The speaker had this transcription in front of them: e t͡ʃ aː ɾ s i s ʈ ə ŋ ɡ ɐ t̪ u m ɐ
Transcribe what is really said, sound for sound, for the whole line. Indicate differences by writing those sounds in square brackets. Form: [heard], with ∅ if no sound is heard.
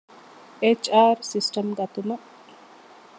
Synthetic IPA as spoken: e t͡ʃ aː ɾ s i s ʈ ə [m] ɡ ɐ t̪ u m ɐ

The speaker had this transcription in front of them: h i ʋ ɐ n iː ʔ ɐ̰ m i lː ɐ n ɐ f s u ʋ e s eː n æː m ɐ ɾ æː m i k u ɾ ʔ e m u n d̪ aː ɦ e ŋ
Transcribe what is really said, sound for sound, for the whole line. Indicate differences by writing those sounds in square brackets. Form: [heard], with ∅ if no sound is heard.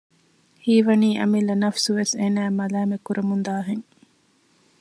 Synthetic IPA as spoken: h [iː] ʋ ɐ n iː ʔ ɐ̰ m i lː ɐ n ɐ f s u ʋ e s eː n æː m ɐ [l] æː m [e] k u ɾ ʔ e m u n d̪ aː ɦ e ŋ

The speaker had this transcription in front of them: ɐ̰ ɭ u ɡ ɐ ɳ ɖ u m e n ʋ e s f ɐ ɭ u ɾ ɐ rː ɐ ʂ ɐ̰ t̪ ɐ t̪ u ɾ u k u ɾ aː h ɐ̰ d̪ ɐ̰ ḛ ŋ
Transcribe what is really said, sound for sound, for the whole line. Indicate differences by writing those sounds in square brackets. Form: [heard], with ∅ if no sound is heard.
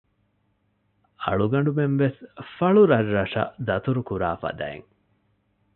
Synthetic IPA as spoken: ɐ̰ ɭ u ɡ ɐ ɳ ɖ u m e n ʋ e s f ɐ ɭ u ɾ ɐ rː ɐ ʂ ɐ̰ [d̪] ɐ t̪ u ɾ u k u ɾ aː [f] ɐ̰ d̪ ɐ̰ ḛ ŋ

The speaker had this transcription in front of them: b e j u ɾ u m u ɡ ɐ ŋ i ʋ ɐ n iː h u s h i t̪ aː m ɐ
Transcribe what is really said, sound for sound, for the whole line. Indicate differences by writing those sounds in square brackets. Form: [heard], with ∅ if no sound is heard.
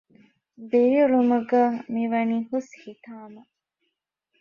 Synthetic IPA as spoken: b e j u ɾ u m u ɡ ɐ [m] i ʋ ɐ n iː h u s h i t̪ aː m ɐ

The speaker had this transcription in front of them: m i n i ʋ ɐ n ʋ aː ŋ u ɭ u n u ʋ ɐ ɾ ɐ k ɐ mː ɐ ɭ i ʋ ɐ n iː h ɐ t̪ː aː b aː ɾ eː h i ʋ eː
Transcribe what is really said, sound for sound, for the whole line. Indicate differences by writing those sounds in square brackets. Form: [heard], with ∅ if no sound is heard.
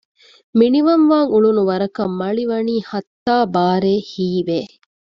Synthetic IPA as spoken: m i n i ʋ ɐ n ʋ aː ŋ u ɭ u n u ʋ ɐ ɾ ɐ k ɐ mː ɐ ɭ i ʋ ɐ n iː h ɐ t̪ː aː b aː ɾ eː h [iː] ʋ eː

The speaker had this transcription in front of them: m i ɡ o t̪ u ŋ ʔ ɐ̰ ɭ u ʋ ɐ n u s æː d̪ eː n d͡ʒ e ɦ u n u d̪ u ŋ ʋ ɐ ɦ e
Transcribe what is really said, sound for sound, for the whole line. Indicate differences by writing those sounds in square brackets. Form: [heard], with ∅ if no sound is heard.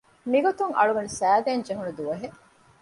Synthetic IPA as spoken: m i ɡ o t̪ u ŋ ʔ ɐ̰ ɭ u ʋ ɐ n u s æː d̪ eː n d͡ʒ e ɦ u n u d̪ u [∅] ʋ ɐ ɦ e

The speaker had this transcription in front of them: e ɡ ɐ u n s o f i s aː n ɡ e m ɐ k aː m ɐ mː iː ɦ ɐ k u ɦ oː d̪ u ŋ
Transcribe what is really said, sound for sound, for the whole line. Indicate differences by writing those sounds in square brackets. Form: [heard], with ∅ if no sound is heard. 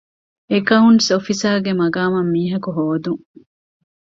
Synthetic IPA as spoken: e [k] ɐ u n s o f i s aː [∅] ɡ e m ɐ [ɡ] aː m ɐ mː iː ɦ ɐ k u ɦ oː d̪ u ŋ

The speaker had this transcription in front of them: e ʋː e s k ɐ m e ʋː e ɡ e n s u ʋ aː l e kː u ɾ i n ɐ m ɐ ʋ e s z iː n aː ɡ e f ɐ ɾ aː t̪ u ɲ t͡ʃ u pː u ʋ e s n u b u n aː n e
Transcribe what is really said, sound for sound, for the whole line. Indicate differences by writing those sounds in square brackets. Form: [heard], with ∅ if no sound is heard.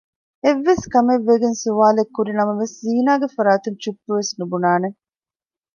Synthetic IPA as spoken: e ʋː e s k ɐ m e ʋː e ɡ e n s u ʋ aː l e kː u ɾ i n ɐ m ɐ ʋ e s z iː n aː ɡ e f ɐ ɾ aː t̪ u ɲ t͡ʃ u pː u ʋ e s n u b u n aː n e

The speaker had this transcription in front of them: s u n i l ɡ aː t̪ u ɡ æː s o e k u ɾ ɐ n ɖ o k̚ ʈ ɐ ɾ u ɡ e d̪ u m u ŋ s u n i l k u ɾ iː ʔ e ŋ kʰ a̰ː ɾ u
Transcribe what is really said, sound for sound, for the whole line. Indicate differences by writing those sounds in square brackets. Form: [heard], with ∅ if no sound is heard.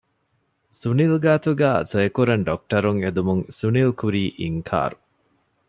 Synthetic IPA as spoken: s u n i l ɡ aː t̪ u ɡ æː s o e k u ɾ ɐ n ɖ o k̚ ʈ ɐ ɾ u [ŋ] e d̪ u m u ŋ s u n i l k u ɾ iː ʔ [i] ŋ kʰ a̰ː ɾ u

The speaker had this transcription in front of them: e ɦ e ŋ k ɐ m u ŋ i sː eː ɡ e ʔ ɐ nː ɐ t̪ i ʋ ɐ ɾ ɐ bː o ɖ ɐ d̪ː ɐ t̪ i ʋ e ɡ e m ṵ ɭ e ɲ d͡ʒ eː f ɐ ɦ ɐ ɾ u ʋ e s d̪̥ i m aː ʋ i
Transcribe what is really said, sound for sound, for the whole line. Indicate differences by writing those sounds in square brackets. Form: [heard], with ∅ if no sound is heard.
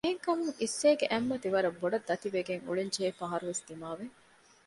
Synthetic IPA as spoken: e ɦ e ŋ k ɐ m u ŋ i sː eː ɡ e ʔ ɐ [mː] ɐ t̪ i ʋ ɐ ɾ ɐ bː o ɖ ɐ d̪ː ɐ t̪ i ʋ e ɡ e [ŋ] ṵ ɭ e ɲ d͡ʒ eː f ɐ ɦ ɐ ɾ u ʋ e s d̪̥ i m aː ʋ [e]

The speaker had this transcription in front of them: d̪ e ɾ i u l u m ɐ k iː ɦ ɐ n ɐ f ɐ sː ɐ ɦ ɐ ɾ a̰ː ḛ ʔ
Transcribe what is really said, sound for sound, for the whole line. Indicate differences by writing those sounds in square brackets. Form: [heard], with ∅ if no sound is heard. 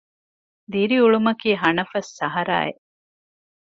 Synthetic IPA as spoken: d̪ [i] ɾ i u [ɭ] u m ɐ k iː ɦ ɐ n ɐ f ɐ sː ɐ ɦ ɐ ɾ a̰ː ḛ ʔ

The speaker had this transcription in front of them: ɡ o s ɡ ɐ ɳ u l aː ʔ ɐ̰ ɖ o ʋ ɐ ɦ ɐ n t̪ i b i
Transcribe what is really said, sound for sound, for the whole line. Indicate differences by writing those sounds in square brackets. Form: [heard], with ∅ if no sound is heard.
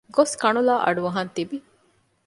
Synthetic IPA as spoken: ɡ o s [k] ɐ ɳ u l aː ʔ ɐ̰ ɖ [u] ʋ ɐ ɦ ɐ n t̪ i b i

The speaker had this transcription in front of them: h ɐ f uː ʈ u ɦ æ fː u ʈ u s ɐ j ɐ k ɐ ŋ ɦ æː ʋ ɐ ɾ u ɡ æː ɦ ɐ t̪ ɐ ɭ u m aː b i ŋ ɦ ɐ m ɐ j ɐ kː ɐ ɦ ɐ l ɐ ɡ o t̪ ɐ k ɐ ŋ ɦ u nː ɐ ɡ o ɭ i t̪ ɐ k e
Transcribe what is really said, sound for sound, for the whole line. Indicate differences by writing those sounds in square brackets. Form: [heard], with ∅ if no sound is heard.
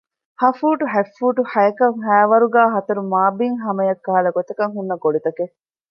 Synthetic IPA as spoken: h ɐ f uː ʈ u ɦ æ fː [uː] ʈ u [h] ɐ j ɐ k ɐ ŋ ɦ æː ʋ ɐ ɾ u ɡ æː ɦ ɐ t̪ ɐ [ɾ] u m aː b i ŋ ɦ ɐ m ɐ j ɐ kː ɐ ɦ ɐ l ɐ ɡ o t̪ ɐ k ɐ ŋ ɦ u nː ɐ ɡ o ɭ i t̪ ɐ k e

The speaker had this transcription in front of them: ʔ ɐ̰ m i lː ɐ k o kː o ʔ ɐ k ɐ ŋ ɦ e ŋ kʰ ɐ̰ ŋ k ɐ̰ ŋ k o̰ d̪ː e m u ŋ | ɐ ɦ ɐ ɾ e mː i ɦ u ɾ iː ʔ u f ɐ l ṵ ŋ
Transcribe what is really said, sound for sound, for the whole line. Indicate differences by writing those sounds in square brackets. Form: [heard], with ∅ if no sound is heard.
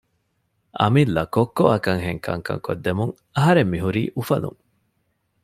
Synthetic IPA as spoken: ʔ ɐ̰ m i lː ɐ k o kː o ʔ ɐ k ɐ ŋ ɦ e ŋ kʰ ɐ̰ ŋ k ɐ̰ ŋ k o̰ d̪ː e m u ŋ | ɐ ɦ ɐ ɾ e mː i ɦ u ɾ iː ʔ u f ɐ l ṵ ŋ

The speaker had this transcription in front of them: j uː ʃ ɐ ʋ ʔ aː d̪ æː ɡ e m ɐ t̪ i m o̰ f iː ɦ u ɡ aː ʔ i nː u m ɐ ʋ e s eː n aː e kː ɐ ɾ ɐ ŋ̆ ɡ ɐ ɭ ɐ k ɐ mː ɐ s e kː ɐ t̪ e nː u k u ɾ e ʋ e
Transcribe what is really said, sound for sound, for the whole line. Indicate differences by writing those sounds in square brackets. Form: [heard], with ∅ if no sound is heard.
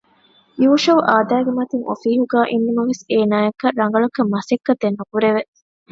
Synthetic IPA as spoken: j uː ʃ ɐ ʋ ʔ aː d̪ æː ɡ e m ɐ t̪ i [ŋ] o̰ f iː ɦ u ɡ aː ʔ i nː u m ɐ ʋ e s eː n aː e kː ɐ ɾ ɐ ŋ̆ ɡ ɐ ɭ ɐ k ɐ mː ɐ s e kː ɐ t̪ e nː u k u ɾ e ʋ e

